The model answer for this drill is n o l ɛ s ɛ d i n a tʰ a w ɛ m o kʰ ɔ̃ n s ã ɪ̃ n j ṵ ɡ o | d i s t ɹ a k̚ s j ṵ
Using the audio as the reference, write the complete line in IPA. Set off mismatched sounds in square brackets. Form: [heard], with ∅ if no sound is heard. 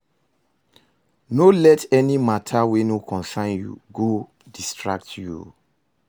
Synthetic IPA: n o l ɛ [t] ɛ [n] i [m] a tʰ a w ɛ [n] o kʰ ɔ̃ n s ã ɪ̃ n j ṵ ɡ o | d i s t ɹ a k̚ [t] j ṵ